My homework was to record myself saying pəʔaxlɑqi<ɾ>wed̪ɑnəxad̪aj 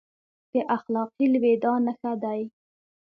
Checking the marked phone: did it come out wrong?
yes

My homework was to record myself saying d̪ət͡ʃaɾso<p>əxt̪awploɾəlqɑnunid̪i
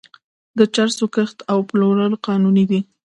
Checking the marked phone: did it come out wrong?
yes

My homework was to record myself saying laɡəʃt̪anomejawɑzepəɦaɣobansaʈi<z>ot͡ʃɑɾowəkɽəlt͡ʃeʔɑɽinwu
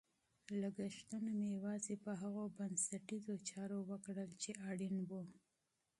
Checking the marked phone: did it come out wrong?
no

